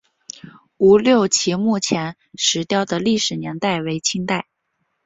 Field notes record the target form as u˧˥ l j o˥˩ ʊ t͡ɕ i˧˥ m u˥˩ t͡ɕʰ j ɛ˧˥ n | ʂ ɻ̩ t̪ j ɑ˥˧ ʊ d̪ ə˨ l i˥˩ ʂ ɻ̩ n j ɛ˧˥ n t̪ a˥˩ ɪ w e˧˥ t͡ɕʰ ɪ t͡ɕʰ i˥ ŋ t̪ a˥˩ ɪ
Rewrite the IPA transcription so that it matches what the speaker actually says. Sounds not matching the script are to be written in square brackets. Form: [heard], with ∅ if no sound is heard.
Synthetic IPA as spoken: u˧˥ l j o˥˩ ʊ [t͡ɕʰ] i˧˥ m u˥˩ t͡ɕʰ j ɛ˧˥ n | ʂ ɻ̩ t̪ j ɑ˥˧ ʊ d̪ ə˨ l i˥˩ ʂ ɻ̩ n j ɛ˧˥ n t̪ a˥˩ ɪ w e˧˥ [∅] ɪ t͡ɕʰ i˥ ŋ t̪ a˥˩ ɪ

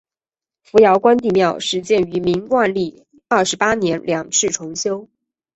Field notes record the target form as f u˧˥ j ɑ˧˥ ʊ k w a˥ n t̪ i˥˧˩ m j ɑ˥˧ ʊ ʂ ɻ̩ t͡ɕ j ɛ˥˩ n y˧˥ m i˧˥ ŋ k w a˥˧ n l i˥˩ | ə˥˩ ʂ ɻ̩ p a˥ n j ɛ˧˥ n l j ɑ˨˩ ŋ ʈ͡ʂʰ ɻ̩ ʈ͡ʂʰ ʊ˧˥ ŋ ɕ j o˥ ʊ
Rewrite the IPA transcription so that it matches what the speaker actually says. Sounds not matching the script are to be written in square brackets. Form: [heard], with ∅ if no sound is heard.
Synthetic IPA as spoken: f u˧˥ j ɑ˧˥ ʊ k w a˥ n t̪ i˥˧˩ m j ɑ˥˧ ʊ ʂ ɻ̩ t͡ɕ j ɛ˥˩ n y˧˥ m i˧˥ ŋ k w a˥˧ n l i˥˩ | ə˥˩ ʂ ɻ̩ p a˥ n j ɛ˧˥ n l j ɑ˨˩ ŋ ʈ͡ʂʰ ɻ̩ ʈ͡ʂʰ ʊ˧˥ ŋ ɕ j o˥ ʊ

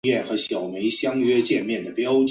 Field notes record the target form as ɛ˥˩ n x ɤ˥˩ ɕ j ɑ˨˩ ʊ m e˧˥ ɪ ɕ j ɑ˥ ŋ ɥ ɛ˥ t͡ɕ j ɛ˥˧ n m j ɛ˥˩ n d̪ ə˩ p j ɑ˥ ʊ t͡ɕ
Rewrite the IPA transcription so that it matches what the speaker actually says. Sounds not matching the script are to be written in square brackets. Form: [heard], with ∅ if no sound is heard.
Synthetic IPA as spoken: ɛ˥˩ n x [ɤ˧˥] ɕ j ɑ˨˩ ʊ m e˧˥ ɪ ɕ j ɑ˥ ŋ ɥ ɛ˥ t͡ɕ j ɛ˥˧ n m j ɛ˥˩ n d̪ ə˩ p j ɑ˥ ʊ t͡ɕ

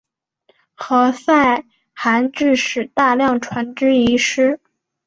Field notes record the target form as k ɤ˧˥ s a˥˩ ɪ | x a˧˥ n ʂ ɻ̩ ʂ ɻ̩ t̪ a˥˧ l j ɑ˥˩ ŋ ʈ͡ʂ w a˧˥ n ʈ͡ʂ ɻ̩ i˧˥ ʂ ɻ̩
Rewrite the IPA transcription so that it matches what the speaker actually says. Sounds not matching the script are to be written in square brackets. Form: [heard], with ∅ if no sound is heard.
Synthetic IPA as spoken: [x] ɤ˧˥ s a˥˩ ɪ | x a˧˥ n [ʈ͡ʂ] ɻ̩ ʂ ɻ̩ t̪ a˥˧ l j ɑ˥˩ ŋ [ʈ͡ʂʰ] w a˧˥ n ʈ͡ʂ ɻ̩ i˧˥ ʂ ɻ̩

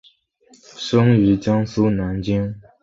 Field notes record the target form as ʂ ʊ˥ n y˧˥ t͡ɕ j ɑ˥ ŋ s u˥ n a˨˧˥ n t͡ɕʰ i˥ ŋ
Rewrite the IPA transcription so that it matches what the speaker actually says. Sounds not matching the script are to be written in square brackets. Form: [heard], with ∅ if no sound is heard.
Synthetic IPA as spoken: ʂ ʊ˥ [ŋ] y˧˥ t͡ɕ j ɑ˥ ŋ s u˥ n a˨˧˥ n [t͡ɕ] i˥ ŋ

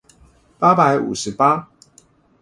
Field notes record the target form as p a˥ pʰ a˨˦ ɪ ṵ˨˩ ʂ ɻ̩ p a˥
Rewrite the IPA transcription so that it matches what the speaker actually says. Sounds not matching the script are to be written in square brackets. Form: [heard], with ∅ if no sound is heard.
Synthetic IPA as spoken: p a˥ [p] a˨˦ ɪ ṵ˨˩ ʂ ɻ̩ p a˥

